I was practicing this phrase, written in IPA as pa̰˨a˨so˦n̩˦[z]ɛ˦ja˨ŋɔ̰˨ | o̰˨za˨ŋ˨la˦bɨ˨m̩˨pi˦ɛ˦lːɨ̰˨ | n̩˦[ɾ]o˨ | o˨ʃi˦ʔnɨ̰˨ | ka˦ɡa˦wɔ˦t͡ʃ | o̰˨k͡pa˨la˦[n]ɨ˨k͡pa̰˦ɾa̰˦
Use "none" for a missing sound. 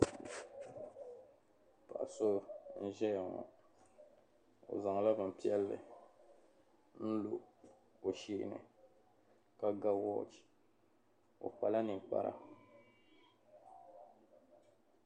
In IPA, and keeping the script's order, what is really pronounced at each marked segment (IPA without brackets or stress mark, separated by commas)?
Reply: ʒ, l, n